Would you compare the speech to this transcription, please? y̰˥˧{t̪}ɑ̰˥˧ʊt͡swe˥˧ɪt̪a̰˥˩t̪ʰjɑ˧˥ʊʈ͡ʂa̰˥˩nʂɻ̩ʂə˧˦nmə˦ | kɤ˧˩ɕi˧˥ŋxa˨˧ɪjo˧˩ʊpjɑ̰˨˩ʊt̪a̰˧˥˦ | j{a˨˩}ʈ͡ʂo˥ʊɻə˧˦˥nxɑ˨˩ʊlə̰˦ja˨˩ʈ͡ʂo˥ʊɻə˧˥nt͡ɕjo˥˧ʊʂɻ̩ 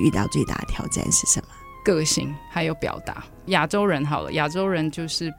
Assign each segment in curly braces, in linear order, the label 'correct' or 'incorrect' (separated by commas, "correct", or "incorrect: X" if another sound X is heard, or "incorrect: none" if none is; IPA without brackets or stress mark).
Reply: correct, correct